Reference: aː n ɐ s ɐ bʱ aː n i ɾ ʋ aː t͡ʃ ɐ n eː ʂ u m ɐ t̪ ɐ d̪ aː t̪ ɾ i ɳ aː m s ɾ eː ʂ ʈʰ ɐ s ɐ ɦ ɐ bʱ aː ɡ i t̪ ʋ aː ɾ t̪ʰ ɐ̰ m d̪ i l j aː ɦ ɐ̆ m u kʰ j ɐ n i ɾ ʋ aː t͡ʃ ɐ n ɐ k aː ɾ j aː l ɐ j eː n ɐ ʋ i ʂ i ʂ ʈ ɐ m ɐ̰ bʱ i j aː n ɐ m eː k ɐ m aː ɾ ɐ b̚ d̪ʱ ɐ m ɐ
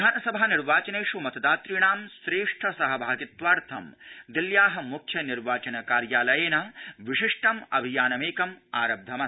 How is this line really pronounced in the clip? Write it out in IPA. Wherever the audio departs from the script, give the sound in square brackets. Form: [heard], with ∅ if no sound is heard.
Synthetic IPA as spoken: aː n ɐ s ɐ bʱ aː n i ɾ ʋ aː t͡ʃ ɐ n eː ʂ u m ɐ t̪ ɐ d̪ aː t̪ ɾ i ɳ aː m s ɾ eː ʂ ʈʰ ɐ s ɐ ɦ ɐ bʱ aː ɡ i t̪ ʋ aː ɾ t̪ʰ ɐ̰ m d̪ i l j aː ɦ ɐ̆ m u kʰ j ɐ n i ɾ ʋ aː t͡ʃ ɐ n ɐ k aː ɾ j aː l ɐ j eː n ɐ ʋ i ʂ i ʂ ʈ ɐ m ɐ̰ bʱ i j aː n ɐ m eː k ɐ m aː ɾ ɐ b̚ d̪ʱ ɐ m ɐ